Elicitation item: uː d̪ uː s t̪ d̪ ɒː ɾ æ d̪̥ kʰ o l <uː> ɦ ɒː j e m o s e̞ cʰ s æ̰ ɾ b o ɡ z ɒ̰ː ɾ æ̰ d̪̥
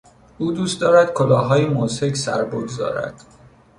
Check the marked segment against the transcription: incorrect: ɒː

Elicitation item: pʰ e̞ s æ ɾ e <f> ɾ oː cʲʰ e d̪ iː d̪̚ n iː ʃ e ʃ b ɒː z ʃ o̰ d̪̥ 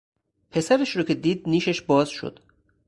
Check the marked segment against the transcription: incorrect: ʃ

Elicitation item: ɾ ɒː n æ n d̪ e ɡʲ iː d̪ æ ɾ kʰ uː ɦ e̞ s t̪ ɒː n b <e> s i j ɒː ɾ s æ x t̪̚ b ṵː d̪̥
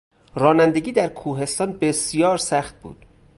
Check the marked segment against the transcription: correct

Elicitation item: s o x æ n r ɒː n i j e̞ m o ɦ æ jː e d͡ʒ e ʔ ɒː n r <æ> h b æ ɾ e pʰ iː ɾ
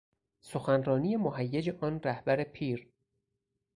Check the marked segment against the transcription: correct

